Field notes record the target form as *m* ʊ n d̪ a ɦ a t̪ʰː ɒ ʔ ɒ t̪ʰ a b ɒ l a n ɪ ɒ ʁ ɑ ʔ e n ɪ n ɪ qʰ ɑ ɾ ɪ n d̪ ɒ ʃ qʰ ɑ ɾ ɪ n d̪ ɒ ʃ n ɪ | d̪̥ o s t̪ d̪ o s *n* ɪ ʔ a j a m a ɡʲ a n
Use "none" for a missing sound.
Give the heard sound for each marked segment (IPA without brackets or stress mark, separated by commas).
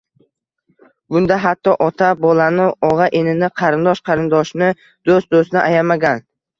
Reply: b, n